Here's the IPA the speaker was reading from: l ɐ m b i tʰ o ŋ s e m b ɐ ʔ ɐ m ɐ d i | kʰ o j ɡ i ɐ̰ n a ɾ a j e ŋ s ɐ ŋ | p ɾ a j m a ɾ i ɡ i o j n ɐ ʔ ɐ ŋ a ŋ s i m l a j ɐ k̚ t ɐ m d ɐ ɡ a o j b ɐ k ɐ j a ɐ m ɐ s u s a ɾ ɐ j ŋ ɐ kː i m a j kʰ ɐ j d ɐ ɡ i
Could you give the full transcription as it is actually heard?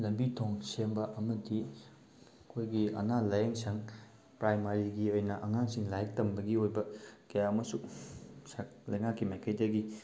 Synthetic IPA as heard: l ɐ m b i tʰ o ŋ s e m b ɐ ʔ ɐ m ɐ d i | kʰ o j ɡ i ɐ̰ n a l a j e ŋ s ɐ ŋ | p ɾ a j m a ɾ i ɡ i o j n ɐ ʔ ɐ ŋ a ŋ s i ŋ l a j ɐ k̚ t ɐ m b ɐ ɡ i o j b ɐ k ɐ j a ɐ m ɐ s u s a l ɐ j ŋ a kː i m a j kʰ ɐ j d ɐ ɡ i